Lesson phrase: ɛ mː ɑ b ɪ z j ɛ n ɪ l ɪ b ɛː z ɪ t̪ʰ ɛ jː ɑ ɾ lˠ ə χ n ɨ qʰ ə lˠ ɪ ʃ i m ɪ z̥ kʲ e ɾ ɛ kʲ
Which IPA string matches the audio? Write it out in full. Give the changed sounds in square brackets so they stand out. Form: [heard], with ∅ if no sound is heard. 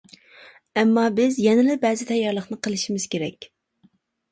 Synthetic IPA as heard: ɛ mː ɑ b ɪ z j ɛ n ɪ l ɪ b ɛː z ɪ t̪ʰ ɛ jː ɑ ɾ lˠ ə χ n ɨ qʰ ə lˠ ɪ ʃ i m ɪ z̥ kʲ e ɾ ɛ kʲ